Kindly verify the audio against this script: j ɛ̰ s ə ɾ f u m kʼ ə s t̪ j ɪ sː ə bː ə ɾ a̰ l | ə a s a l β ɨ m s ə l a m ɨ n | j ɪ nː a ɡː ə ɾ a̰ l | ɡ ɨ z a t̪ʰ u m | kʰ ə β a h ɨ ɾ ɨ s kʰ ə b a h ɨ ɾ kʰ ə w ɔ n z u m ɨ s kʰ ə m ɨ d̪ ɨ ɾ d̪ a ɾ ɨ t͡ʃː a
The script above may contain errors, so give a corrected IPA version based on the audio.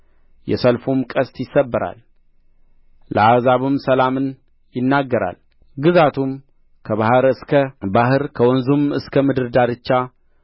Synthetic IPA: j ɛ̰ s ə l f u m kʼ ə s t̪ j ɪ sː ə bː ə ɾ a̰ l | ə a z a β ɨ m s ə l a m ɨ n | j ɪ nː a ɡː ə ɾ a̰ l | ɡ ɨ z a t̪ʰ u m | kʰ ə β a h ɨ ɾ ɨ s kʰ ə b a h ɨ ɾ kʰ ə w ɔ n z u m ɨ s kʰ ə m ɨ d̪ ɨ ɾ d̪ a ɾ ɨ t͡ʃː a

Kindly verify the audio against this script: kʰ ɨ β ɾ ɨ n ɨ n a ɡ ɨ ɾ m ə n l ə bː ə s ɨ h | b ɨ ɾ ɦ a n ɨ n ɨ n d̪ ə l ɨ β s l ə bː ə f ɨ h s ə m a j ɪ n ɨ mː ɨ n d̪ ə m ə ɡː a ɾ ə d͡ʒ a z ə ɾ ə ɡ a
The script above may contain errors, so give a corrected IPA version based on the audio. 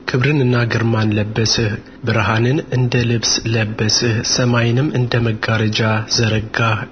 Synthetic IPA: kʰ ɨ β ɾ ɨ n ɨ nː a ɡ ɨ ɾ m a n l ə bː ə s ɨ h | b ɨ ɾ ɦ a n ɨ n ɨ n d̪ ə l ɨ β s l ə bː ə s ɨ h s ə m a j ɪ n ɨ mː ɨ n d̪ ə m ə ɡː a ɾ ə d͡ʒ a z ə ɾ ə ɡ a

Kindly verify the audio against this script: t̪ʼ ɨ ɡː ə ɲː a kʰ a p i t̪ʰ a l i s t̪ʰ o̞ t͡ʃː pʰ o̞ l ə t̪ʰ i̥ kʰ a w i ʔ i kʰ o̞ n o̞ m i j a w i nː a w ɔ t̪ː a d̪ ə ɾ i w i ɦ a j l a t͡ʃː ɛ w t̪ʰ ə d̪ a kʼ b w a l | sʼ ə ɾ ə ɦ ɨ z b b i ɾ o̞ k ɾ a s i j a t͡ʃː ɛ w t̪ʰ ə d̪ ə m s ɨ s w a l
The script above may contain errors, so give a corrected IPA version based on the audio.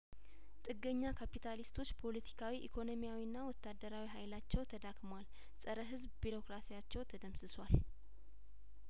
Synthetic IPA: t̪ʼ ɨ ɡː ə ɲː a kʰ a p i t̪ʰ a l i s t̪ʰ o̞ t͡ʃː pʰ o̞ l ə t̪ʰ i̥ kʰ a w i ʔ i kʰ o̞ n o̞ m i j a w i nː a w ɔ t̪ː a d̪ ə ɾ a w i ɦ a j l a t͡ʃː ɛ w t̪ʰ ə d̪ a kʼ m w a l | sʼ ə ɾ ə ɦ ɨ z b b i ɾ o̞ k ɾ a s i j a t͡ʃː ɛ w t̪ʰ ə d̪ ə m s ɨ s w a l

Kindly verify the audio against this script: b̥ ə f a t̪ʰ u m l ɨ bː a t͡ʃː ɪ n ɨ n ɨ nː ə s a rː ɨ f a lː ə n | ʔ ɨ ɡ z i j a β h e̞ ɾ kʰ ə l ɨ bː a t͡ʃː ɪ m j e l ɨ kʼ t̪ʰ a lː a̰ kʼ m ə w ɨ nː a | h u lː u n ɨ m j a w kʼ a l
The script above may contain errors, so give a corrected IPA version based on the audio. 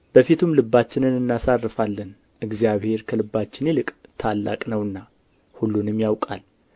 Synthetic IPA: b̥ ə f i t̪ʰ u m l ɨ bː a t͡ʃː ɪ n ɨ n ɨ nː a s a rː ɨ f a lː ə n | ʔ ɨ ɡ z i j a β h e̞ ɾ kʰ ə l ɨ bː a t͡ʃː ɪ n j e l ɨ kʼ t̪ʰ a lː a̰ kʼ n ə w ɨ nː a | h u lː u n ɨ m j a w kʼ a l

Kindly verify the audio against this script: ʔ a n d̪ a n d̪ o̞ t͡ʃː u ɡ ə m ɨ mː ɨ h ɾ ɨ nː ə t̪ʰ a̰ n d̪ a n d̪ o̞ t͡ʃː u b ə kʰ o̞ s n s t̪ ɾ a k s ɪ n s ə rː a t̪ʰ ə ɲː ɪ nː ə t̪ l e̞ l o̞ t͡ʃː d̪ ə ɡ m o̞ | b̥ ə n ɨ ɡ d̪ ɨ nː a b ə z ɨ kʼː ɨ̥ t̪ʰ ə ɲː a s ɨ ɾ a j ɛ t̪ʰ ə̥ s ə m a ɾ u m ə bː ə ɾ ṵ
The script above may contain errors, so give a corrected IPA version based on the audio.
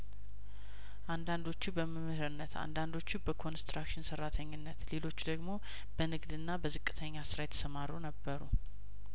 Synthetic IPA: ʔ a n d̪ a n d̪ o̞ t͡ʃː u b ə m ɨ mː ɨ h ɾ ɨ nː ə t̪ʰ a̰ n d̪ a n d̪ o̞ t͡ʃː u b ə kʰ o̞ n s t̪ ɾ a k ʃ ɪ n s ə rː a t̪ʰ ə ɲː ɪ nː ə t̪ l e̞ l o̞ t͡ʃː d̪ ə ɡ m o̞ | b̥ ə n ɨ ɡ d̪ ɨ nː a b ə z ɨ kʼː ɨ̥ t̪ʰ ə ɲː a s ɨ ɾ a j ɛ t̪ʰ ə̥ s ə m a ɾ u n ə bː ə ɾ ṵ

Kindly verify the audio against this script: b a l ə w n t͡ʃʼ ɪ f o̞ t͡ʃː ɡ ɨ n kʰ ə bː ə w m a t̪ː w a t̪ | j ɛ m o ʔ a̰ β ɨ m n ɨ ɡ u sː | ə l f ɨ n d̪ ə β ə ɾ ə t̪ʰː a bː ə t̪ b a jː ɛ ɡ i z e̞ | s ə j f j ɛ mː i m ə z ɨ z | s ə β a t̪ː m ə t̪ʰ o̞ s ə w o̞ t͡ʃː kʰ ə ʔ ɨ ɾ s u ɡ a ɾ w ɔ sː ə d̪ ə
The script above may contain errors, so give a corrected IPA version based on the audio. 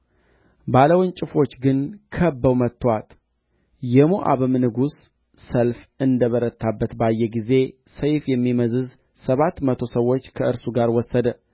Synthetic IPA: b a l ə w n t͡ʃʼ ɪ f o̞ t͡ʃː ɡ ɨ n kʰ ə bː ə w m ə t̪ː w a t̪ | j ɛ m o ʔ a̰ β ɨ m n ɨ ɡ u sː | ə l f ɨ n d̪ ə β ə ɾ ə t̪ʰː a bː ə t̪ b a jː ɛ ɡ i z e̞ | s ə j f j ɛ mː i m ə z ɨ z | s ə β a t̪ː m ə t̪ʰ o̞ s ə w o̞ t͡ʃː kʰ ə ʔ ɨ ɾ s u ɡ a ɾ w ɔ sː ə d̪ ə

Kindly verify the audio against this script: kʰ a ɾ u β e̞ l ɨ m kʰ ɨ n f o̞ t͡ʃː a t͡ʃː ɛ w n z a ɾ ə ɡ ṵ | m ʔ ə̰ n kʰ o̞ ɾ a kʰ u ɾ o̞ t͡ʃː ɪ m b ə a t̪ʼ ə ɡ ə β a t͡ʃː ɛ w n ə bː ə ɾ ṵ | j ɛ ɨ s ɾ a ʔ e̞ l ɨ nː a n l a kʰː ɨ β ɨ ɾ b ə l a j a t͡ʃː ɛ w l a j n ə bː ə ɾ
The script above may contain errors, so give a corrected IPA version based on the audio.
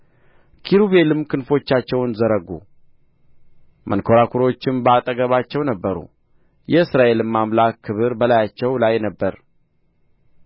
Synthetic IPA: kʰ i ɾ u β e̞ l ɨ m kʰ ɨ n f o̞ t͡ʃː a t͡ʃː ɛ w n z ə ɾ ə ɡ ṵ | m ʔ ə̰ n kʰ o̞ ɾ a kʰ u ɾ o̞ t͡ʃː ɪ m b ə a t̪ʼ ə ɡ ə β a t͡ʃː ɛ w n ə bː ə ɾ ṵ | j ɛ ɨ s ɾ a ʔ e̞ l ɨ mː a m l a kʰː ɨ β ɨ ɾ b ə l a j a t͡ʃː ɛ w l a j n ə bː ə ɾ

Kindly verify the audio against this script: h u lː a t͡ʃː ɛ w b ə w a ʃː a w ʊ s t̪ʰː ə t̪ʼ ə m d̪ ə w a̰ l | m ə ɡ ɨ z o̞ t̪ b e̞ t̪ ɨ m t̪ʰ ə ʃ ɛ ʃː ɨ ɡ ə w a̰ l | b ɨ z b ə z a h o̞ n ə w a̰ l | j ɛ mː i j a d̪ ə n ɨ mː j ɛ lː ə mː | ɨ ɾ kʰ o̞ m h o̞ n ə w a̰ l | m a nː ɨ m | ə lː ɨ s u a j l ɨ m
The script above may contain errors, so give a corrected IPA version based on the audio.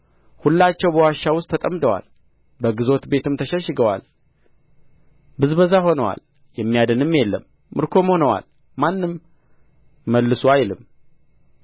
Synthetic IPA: h u lː a t͡ʃː ɛ w b ə w a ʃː a w ʊ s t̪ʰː ə t̪ʼ ə m d̪ ə w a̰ l | b ə ɡ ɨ z o̞ t̪ b e̞ t̪ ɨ m t̪ʰ ə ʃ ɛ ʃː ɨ ɡ ə w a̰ l | b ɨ z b ə z a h o̞ n ə w a̰ l | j ɛ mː i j a d̪ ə n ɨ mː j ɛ lː ə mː | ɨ ɾ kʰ o̞ m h o̞ n ə w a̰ l | m a nː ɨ m | ə lː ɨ s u a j l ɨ m

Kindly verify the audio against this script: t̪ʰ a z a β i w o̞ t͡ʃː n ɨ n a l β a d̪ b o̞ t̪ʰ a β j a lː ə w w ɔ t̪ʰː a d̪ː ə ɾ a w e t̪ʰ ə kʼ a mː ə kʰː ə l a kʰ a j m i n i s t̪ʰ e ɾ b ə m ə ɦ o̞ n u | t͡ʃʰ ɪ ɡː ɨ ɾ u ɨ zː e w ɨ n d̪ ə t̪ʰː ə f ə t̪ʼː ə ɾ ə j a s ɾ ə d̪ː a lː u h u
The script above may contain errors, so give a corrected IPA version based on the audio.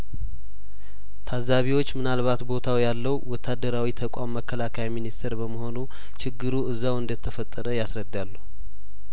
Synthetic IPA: t̪ʰ a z a β i w o̞ t͡ʃː m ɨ n a l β a t̪ b o̞ t̪ʰ a w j a lː ə w w ɔ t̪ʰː a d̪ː ə ɾ a w i t̪ʰ ə kʼ a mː ə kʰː ə l a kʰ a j m i n i s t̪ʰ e ɾ b ə m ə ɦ o̞ n u | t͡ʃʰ ɪ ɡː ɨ ɾ u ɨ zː a w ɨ n d̪ ə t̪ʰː ə f ə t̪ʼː ə ɾ ə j a s ɾ ə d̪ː a lː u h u

